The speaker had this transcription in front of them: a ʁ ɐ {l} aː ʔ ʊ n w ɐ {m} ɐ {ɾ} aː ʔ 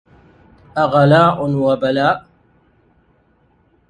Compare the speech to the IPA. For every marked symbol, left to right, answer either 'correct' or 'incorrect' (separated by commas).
correct, incorrect, incorrect